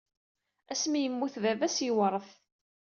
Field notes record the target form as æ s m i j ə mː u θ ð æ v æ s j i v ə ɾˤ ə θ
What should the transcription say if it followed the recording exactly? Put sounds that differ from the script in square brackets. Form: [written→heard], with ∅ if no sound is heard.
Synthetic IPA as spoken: æ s m i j ə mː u θ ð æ v æ s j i [v→w] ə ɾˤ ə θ